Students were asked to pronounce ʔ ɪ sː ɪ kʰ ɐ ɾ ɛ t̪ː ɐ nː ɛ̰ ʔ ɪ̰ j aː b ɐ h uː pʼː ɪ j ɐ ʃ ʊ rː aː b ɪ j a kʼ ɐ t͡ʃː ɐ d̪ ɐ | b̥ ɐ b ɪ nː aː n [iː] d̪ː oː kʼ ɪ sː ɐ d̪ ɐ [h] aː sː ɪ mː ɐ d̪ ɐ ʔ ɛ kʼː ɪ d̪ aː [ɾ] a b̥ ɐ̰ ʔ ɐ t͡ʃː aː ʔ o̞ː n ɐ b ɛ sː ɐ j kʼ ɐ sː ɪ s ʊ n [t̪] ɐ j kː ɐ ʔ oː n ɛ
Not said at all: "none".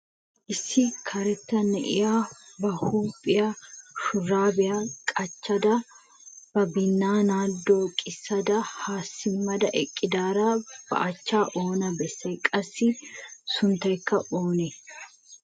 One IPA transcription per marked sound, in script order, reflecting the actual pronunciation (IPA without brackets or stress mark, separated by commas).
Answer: aː, h, ɾ, t̪